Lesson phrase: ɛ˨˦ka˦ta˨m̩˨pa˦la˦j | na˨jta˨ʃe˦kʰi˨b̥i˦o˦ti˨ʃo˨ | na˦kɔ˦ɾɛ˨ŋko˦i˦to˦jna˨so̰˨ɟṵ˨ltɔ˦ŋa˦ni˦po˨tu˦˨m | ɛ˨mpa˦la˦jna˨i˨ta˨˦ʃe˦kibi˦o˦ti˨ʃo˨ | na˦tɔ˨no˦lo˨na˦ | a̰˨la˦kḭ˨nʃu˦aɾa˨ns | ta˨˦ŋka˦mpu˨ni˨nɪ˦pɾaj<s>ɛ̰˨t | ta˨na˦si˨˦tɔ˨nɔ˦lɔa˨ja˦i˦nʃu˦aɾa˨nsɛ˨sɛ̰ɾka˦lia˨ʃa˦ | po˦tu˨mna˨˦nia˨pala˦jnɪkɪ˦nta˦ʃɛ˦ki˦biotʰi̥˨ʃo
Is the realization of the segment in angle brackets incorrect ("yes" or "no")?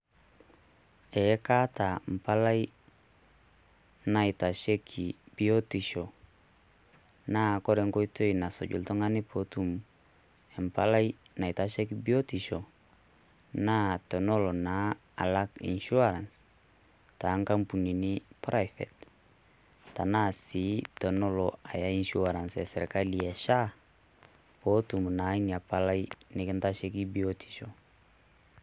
yes